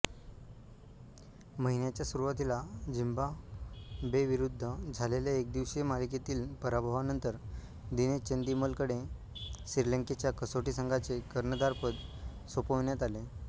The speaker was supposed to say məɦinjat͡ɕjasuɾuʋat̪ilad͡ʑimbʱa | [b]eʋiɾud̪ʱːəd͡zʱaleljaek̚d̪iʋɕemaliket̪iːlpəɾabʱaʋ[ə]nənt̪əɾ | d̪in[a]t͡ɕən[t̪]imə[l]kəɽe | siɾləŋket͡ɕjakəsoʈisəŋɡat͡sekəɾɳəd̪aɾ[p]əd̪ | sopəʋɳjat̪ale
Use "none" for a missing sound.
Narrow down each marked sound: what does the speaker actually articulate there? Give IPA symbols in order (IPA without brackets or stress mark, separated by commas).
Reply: b, a, e, d̪, l, p